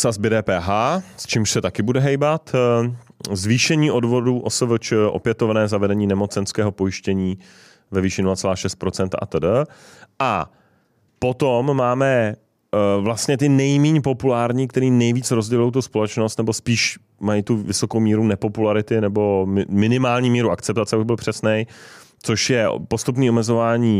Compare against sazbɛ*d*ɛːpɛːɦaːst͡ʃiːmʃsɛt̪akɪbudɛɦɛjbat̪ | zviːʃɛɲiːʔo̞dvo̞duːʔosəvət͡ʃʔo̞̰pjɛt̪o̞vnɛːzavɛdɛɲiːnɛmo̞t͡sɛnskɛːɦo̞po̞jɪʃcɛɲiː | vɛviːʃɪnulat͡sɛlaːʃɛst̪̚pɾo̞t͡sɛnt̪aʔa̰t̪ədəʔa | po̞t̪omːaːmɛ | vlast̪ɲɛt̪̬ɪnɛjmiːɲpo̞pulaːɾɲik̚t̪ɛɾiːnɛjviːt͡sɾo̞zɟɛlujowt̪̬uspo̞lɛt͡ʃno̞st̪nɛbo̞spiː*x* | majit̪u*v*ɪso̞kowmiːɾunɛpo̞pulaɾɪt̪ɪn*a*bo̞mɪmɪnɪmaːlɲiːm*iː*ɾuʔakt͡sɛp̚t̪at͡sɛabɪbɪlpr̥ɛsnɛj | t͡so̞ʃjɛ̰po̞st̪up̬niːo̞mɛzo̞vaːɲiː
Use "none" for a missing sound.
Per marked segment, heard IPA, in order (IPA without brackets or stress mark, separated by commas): d, ʃ, v, ɛ, iː